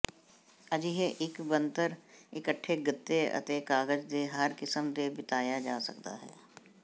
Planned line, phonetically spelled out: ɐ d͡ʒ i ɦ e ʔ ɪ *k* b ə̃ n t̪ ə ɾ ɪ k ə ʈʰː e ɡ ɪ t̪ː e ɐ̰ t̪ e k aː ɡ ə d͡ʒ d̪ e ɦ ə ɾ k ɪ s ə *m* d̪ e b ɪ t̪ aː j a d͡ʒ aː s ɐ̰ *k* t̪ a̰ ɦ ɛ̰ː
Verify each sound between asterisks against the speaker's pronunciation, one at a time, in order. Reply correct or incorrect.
correct, correct, correct

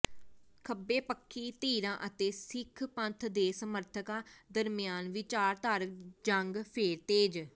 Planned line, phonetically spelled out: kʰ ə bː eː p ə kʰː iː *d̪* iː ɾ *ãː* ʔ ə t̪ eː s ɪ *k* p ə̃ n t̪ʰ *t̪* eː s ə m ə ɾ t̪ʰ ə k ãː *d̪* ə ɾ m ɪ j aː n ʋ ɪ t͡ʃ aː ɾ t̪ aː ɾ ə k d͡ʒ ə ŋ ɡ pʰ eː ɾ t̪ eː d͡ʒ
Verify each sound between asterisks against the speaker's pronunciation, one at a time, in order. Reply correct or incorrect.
incorrect: t̪, correct, incorrect: kʰ, incorrect: d̪, correct

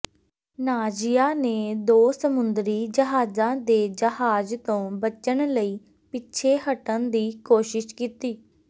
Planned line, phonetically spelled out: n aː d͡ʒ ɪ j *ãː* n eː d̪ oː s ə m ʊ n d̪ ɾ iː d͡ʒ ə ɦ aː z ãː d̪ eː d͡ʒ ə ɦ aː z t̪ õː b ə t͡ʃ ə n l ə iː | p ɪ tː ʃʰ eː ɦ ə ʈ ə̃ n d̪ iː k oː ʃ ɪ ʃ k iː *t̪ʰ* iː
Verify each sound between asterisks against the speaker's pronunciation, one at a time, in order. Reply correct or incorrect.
incorrect: aː, incorrect: t̪

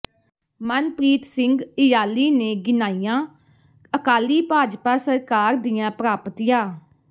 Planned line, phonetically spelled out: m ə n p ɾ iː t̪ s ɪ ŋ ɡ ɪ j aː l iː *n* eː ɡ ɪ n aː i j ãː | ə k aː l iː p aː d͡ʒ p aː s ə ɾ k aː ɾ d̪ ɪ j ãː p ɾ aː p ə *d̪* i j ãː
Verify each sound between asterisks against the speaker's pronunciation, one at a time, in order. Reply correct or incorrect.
correct, incorrect: t̪

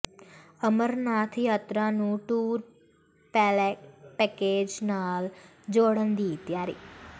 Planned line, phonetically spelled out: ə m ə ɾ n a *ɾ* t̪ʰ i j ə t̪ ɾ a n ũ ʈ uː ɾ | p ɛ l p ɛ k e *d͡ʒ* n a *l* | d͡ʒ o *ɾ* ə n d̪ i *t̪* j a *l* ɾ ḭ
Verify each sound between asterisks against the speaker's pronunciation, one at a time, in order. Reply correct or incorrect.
incorrect: none, correct, correct, incorrect: ɽ, correct, incorrect: none

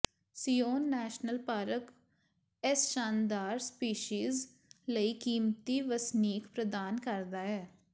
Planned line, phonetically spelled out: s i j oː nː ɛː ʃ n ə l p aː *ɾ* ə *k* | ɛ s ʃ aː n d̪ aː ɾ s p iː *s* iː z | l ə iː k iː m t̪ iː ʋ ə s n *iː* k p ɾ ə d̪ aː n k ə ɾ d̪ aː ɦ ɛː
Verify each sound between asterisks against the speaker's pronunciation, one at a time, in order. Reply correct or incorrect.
correct, correct, incorrect: ʃ, correct

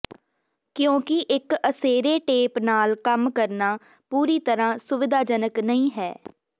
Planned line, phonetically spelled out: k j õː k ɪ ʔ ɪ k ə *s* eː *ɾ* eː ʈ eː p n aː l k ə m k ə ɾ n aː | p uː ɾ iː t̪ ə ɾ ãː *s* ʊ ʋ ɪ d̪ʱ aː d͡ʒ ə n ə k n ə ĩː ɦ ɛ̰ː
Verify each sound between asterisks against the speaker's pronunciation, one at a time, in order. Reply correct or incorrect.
correct, correct, correct

